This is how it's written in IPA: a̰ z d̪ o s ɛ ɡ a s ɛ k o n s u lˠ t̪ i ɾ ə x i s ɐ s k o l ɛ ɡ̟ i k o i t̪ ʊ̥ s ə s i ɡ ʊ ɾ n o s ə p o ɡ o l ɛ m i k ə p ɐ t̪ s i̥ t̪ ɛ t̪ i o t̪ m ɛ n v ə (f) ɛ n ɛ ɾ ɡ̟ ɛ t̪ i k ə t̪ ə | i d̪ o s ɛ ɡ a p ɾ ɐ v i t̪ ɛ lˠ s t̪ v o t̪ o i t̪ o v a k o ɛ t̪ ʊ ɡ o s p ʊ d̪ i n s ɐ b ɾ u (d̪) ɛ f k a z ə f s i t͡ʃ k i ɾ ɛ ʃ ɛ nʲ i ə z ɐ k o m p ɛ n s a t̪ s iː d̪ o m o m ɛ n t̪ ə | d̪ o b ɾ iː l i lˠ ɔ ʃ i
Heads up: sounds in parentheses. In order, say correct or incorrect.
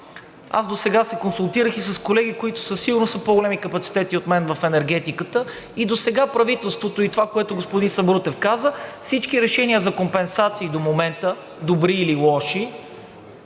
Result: correct, incorrect: t̪

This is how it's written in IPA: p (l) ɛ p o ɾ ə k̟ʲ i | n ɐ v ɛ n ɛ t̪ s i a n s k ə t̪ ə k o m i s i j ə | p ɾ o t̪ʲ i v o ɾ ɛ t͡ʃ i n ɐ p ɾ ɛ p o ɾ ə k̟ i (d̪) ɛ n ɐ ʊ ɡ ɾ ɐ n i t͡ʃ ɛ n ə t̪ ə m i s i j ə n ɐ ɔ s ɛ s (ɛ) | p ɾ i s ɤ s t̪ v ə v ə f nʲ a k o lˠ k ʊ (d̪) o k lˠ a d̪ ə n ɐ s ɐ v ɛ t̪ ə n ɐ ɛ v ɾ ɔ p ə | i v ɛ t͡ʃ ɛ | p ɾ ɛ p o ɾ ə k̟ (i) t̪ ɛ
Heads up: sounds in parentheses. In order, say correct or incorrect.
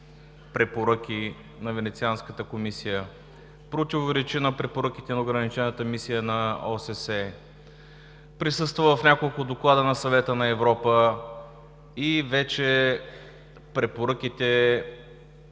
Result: incorrect: ɾ, incorrect: t̪, correct, correct, correct

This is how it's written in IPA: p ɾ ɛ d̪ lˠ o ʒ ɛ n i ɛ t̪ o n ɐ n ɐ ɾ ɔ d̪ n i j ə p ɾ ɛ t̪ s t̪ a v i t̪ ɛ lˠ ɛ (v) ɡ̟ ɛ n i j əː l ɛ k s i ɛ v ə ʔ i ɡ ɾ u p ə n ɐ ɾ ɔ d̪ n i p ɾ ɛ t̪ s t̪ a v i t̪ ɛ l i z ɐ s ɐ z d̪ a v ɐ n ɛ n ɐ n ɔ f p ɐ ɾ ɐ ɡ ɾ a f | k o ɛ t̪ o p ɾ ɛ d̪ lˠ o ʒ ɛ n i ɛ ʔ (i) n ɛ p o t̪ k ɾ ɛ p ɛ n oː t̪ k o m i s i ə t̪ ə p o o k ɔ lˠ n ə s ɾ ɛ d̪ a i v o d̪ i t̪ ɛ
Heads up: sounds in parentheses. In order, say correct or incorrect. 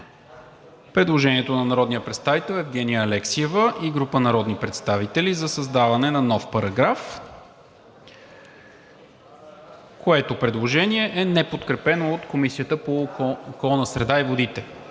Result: correct, incorrect: ɛ

